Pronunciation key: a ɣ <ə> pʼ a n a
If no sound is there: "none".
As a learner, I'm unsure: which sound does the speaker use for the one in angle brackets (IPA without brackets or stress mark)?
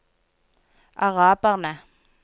a